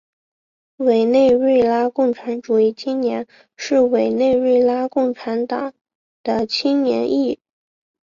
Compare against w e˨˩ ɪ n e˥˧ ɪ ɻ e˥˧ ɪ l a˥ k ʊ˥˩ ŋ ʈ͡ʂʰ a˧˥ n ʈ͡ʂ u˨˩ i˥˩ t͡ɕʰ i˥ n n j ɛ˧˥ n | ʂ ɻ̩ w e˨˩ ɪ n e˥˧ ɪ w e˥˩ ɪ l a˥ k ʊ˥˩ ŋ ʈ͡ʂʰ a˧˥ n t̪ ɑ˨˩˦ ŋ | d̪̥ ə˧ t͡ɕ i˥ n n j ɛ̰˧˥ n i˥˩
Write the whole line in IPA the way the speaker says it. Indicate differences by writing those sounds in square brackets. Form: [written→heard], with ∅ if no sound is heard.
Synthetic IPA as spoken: w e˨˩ ɪ n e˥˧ ɪ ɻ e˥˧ ɪ l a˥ k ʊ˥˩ ŋ ʈ͡ʂʰ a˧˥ n ʈ͡ʂ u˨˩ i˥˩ t͡ɕʰ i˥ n n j ɛ˧˥ n | ʂ ɻ̩ w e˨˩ ɪ n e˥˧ ɪ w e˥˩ ɪ l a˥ k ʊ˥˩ ŋ ʈ͡ʂʰ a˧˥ n t̪ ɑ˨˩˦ ŋ | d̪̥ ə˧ [t͡ɕ→t͡ɕʰ] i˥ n n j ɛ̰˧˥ n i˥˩